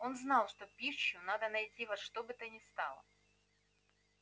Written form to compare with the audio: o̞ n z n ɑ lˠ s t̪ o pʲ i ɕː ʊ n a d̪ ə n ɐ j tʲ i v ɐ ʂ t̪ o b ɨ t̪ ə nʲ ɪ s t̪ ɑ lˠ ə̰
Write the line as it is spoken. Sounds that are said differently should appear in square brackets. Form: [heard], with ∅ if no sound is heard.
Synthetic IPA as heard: o̞ n z n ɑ lˠ [ʂ] t̪ o pʲ i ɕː ʊ n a d̪ ə n ɐ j tʲ i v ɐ ʂ t̪ o b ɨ t̪ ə nʲ ɪ s t̪ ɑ lˠ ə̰